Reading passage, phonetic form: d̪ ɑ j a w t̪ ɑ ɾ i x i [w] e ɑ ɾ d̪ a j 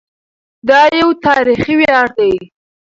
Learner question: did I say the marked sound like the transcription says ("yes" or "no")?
yes